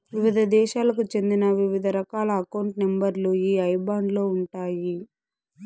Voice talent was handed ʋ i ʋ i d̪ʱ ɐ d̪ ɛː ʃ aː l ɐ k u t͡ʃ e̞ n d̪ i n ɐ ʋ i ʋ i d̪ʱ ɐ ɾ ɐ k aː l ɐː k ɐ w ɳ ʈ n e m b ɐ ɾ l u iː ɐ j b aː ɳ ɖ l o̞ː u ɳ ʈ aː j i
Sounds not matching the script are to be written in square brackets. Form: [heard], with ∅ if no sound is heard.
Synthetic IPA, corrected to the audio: ʋ i ʋ i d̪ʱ ɐ d̪ ɛː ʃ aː l ɐ k u t͡ʃ e̞ n d̪ i n ɐ ʋ i ʋ i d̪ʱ ɐ ɾ ɐ k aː l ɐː k ɐ w ɳ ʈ n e m b ɐ ɾ l u iː ɐ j b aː ɳ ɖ l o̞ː u ɳ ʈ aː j i

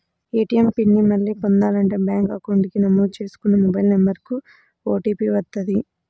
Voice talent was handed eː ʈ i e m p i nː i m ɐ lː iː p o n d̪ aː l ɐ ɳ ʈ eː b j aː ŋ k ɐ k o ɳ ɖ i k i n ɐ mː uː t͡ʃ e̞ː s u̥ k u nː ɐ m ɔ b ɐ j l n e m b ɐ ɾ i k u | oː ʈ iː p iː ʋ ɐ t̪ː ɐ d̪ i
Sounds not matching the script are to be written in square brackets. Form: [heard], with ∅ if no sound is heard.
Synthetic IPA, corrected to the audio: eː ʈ i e m p i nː i m ɐ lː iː p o n d̪ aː l ɐ ɳ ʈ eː b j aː ŋ k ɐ k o ɳ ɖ i k i n ɐ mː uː t͡ʃ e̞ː s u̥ k u nː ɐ m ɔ b ɐ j l n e m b ɐ ɾ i k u | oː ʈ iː p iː ʋ ɐ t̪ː ɐ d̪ i

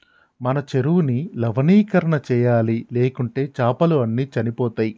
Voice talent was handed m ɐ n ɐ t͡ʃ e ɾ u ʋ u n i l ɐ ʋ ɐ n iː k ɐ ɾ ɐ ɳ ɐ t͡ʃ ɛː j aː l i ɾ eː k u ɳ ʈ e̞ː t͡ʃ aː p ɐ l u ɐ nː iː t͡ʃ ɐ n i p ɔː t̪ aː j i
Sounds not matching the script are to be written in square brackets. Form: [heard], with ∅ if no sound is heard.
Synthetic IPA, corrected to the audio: m ɐ n ɐ t͡ʃ e ɾ u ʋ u n i l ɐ ʋ ɐ n iː k ɐ ɾ ɐ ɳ ɐ t͡ʃ ɛː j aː l i [l] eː k u ɳ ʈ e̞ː t͡ʃ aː p ɐ l u ɐ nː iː t͡ʃ ɐ n i p ɔː t̪ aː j i

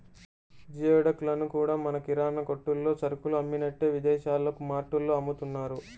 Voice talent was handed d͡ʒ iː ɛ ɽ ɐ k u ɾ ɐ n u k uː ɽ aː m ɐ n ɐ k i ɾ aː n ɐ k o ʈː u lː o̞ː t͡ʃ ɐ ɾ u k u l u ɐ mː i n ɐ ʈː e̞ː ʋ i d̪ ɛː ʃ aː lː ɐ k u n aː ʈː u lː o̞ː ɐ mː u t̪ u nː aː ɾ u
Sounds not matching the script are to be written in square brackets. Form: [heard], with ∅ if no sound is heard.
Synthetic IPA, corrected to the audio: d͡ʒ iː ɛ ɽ ɐ k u [l] ɐ n u k uː ɽ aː m ɐ n ɐ k i ɾ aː n ɐ k o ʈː u lː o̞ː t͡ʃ ɐ ɾ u k u l u ɐ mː i n ɐ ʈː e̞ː ʋ i d̪ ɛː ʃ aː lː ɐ k u [m] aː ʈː u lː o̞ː ɐ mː u t̪ u nː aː ɾ u

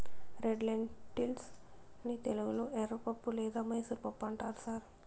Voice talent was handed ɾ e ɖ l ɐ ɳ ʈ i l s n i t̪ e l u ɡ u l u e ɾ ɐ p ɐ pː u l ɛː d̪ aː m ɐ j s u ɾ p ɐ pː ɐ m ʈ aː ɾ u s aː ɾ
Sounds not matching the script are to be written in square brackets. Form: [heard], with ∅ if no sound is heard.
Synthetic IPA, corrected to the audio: ɾ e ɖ l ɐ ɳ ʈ i l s n i t̪ e l u ɡ u l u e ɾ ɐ p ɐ pː u l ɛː d̪ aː m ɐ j s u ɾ p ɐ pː ɐ [ɳ] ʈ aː ɾ u s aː ɾ

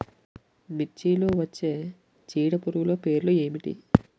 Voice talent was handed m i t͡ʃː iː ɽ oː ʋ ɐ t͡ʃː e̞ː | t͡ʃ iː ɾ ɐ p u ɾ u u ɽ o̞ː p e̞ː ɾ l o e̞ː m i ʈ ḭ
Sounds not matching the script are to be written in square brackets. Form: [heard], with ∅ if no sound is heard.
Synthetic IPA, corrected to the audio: m i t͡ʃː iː [l] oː ʋ ɐ t͡ʃː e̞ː | t͡ʃ iː [ɽ] ɐ p u ɾ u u [l] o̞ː p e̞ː ɾ l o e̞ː m i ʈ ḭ

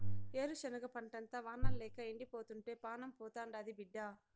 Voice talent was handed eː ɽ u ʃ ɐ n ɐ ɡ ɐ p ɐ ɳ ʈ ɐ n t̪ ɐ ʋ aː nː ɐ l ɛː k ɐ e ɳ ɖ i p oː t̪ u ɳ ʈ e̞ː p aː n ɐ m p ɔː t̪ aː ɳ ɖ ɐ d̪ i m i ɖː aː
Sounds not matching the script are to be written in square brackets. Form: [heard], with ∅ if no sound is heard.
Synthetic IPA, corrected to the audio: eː [ɾ] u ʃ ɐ n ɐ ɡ ɐ p ɐ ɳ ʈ ɐ n t̪ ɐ ʋ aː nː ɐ l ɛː k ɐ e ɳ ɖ i p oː t̪ u ɳ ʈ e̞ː p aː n ɐ m p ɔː t̪ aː ɳ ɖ ɐ d̪ i [b] i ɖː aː

